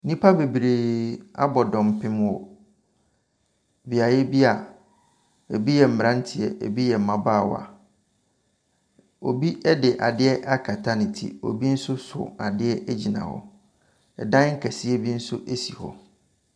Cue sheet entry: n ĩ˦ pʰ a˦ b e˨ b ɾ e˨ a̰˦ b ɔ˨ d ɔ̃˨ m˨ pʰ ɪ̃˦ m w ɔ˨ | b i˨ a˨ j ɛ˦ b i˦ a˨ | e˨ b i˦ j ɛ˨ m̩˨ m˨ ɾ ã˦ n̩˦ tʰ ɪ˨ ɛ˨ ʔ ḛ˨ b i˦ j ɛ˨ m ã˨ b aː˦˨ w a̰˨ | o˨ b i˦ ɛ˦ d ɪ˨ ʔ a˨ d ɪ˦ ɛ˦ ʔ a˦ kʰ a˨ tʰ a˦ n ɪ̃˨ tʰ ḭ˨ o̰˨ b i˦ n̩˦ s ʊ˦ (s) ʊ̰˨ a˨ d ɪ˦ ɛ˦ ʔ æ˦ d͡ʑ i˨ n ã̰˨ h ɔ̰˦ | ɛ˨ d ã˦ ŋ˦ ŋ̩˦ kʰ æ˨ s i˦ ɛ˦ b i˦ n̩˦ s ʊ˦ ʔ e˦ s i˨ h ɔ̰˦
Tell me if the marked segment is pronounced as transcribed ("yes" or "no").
yes